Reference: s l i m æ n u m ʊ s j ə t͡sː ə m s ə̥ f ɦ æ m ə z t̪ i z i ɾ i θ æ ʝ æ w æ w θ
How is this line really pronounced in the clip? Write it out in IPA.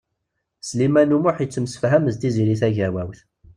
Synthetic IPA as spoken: s l i m æ n u m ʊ ħ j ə t͡sː ə m s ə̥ f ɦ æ m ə z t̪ i z i ɾ i θ æ ʝ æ w æ w θ